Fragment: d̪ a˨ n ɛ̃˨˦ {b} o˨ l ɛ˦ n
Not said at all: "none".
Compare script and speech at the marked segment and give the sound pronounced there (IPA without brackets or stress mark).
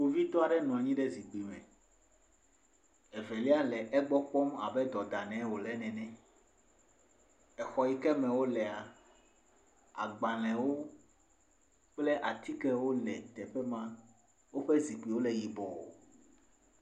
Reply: w